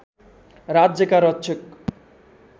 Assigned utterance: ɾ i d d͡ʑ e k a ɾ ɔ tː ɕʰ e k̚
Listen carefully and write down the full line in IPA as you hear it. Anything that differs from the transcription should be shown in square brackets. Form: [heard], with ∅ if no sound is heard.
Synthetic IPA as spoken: ɾ [a] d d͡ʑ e k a ɾ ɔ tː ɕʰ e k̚